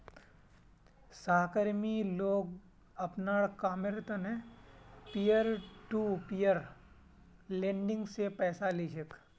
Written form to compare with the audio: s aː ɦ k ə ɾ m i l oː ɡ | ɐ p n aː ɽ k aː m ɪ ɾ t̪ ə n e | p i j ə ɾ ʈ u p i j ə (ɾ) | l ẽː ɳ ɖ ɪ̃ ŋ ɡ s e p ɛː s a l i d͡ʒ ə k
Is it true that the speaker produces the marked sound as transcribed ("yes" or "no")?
yes